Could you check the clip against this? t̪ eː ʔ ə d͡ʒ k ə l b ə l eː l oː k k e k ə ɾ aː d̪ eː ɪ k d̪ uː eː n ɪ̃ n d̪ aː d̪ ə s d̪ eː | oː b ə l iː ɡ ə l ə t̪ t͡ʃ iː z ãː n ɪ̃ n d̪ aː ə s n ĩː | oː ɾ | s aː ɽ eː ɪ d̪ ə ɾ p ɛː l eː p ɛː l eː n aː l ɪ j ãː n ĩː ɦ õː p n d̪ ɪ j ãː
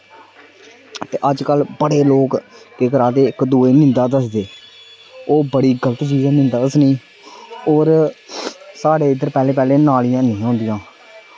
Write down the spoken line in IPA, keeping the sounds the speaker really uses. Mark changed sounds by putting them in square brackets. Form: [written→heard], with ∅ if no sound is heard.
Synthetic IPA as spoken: t̪ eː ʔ ə d͡ʒ k ə l b ə [l→ɽ] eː l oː k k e k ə ɾ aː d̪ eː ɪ k d̪ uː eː n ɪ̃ n d̪ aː d̪ ə s d̪ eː | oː b ə [l→ɽ] iː ɡ ə l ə t̪ t͡ʃ iː z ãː n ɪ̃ n d̪ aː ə s n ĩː | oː ɾ | s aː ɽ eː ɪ d̪ ə ɾ p ɛː l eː p ɛː l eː n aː l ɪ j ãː n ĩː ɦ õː [p→∅] n d̪ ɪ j ãː